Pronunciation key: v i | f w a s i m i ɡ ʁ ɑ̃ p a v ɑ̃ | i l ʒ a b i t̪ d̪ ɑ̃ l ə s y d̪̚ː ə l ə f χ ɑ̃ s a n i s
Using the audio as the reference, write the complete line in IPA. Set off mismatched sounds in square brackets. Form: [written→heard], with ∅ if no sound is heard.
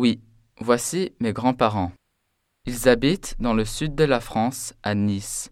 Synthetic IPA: [v→w] i | [f→v] w a s i m [i→e] ɡ ʁ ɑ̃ p a [v→ʁ] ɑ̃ | i l [ʒ→z] a b i t̪ d̪ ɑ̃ l ə s y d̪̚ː ə l [ə→a] f χ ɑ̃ s a n i s